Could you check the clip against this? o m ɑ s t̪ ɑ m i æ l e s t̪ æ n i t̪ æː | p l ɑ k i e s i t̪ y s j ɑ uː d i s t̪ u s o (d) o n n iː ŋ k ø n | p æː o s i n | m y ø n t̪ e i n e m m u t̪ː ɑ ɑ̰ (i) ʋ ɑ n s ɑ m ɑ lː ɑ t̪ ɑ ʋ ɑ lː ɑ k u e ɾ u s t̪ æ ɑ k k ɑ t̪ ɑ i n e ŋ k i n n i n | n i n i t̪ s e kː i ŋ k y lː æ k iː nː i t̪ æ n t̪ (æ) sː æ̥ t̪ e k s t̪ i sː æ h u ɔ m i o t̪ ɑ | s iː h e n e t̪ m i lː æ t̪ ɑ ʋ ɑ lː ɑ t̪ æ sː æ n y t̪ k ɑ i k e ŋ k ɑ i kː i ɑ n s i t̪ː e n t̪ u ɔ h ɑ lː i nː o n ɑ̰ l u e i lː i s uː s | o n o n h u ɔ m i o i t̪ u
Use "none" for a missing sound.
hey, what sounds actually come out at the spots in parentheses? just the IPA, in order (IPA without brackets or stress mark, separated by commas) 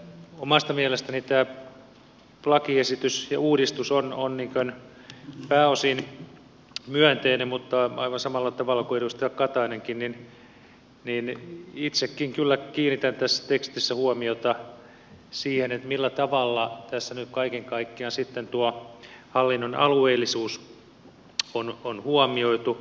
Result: n, i, æ